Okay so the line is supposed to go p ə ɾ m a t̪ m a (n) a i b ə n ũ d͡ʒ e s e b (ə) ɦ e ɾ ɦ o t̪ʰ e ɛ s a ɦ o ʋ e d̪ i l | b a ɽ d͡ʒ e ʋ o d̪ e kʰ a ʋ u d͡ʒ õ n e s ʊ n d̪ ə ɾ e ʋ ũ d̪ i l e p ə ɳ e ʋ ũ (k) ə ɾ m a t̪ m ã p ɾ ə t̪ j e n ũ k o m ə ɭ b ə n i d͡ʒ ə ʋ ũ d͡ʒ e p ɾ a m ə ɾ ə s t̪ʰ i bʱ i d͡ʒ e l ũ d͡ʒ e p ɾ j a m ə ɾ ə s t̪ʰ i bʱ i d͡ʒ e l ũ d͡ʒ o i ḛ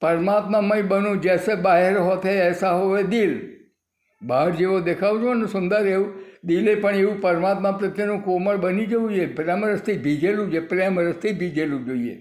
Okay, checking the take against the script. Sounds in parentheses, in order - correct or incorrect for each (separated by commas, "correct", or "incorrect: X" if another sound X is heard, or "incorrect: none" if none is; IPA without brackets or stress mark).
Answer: incorrect: m, incorrect: a, incorrect: p